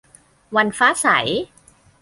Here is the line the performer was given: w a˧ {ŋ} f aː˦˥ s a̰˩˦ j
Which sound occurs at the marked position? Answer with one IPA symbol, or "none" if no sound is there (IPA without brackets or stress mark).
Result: n